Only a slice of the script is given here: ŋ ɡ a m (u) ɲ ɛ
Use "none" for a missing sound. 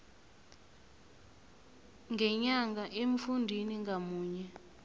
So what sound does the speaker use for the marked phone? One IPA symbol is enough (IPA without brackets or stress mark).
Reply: uː